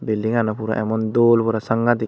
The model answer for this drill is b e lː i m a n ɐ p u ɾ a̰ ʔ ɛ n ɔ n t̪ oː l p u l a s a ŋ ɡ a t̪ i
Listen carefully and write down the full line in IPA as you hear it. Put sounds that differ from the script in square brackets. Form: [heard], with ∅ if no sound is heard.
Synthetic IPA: b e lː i [ŋ] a n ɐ p u ɾ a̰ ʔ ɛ [m] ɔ n [d̪] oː l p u [ɾ] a s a ŋ ɡ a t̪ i